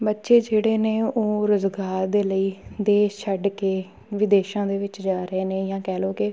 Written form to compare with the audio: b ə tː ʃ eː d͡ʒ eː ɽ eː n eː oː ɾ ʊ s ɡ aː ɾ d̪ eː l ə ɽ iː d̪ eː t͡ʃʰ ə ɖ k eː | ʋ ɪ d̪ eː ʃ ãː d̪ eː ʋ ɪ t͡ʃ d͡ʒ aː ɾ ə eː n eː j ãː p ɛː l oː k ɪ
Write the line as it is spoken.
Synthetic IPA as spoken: b ə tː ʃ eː d͡ʒ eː ɽ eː n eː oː ɾ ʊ z ɡ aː ɾ d̪ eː l ə iː d̪ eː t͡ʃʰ ə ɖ k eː | ʋ ɪ d̪ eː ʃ ãː d̪ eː ʋ ɪ t͡ʃ d͡ʒ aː ɾ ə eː n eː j ãː k ɛː l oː k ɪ